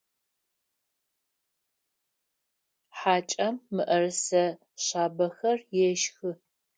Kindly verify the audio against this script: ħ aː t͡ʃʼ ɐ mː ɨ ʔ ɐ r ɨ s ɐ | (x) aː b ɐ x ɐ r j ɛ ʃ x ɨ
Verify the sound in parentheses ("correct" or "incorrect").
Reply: incorrect